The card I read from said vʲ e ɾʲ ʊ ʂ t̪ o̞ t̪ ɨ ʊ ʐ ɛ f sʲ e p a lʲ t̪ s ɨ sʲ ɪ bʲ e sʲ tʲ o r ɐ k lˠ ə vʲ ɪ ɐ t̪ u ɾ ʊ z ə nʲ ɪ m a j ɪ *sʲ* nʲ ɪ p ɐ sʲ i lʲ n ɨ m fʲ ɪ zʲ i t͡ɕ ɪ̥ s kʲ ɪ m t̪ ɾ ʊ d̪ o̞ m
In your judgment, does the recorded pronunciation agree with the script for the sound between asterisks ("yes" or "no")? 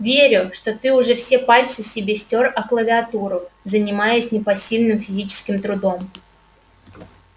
yes